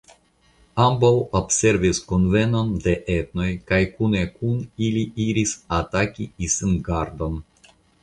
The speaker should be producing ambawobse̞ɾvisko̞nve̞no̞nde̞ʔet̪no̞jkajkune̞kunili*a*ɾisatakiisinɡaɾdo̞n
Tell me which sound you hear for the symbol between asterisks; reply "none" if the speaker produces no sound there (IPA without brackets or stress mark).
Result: i